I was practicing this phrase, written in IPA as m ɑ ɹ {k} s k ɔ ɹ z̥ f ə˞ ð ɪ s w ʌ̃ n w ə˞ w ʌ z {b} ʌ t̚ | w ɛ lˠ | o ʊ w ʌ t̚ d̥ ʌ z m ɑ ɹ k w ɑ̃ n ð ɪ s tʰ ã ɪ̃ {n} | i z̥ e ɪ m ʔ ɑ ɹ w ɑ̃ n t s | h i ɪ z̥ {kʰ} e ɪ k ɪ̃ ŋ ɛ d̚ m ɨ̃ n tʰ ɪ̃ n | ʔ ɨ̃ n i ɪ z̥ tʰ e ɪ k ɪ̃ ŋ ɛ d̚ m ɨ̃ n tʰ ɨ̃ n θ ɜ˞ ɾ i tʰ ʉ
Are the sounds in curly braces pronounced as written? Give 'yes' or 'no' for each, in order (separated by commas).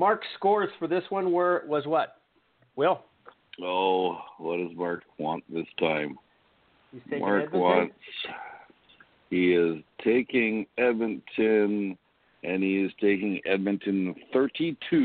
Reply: yes, no, no, no